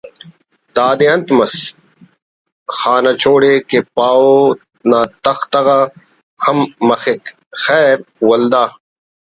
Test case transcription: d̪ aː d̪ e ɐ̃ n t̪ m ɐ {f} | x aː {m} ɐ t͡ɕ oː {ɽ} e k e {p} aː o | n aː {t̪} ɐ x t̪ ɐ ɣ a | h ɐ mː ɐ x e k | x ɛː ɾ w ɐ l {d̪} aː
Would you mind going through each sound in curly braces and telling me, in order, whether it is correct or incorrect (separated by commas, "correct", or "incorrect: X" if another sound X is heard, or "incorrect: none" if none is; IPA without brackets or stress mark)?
incorrect: s, incorrect: n, correct, correct, correct, correct